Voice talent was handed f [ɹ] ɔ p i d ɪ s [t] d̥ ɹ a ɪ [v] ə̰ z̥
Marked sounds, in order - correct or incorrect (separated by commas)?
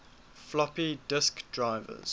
incorrect, incorrect, correct